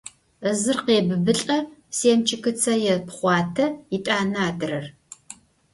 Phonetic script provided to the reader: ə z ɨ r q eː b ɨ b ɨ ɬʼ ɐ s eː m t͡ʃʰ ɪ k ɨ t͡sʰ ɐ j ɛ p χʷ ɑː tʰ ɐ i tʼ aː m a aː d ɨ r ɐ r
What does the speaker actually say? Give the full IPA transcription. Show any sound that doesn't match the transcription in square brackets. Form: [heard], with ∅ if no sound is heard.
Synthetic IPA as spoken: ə z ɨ r q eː b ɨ b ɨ ɬʼ ɐ s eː m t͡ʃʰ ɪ k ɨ t͡sʰ ɐ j ɛ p χʷ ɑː tʰ ɐ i tʼ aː [n] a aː d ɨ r ɐ r